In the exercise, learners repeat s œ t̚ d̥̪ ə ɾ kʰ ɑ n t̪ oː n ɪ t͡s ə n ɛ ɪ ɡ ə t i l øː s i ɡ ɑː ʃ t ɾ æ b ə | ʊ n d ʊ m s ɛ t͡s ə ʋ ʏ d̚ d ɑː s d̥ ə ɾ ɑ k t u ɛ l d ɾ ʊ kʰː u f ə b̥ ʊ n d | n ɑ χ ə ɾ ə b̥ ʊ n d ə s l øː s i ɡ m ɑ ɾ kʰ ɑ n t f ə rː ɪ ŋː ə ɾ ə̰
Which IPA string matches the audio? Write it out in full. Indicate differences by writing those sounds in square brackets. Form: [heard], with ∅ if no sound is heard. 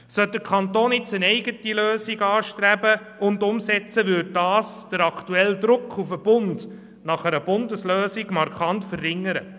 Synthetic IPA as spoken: s œ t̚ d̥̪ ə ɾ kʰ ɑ n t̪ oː n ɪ t͡s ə n ɛ ɪ ɡ ə t i l øː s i ɡ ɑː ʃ t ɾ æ b ə | ʊ n d ʊ m s ɛ t͡s ə ʋ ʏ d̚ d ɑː s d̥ ə ɾ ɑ k t u ɛ l d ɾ ʊ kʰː u f ə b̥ ʊ n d | n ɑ χ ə ɾ ə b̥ ʊ n d ə s l øː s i ɡ m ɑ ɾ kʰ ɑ n t f ə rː ɪ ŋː ə ɾ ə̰